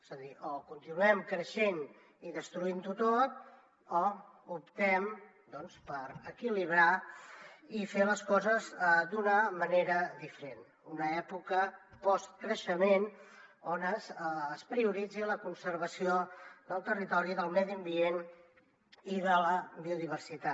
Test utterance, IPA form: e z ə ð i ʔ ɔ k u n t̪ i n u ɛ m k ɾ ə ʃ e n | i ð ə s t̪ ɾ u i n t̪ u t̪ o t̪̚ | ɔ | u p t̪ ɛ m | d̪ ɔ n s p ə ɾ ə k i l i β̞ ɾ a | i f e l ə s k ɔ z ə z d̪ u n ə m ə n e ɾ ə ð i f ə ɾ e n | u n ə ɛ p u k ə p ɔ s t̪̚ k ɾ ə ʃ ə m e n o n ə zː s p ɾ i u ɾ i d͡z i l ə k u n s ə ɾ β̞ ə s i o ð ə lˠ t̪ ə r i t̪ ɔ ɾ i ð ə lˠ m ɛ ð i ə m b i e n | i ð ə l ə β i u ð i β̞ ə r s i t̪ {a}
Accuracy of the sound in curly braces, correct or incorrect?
correct